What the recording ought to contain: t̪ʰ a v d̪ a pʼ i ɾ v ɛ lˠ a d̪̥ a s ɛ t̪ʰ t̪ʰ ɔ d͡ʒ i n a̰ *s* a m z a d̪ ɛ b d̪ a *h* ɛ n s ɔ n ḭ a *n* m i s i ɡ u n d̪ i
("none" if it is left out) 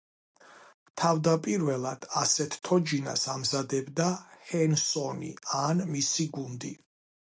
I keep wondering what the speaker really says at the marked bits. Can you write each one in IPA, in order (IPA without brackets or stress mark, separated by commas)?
s, h, n